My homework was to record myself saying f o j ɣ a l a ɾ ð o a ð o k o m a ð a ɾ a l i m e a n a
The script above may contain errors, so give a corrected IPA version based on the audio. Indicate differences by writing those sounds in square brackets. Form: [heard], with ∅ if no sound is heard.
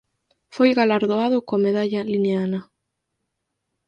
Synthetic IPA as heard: f o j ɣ a l a ɾ ð o a ð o k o m [e] ð a [ʎ] a l i [n] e a n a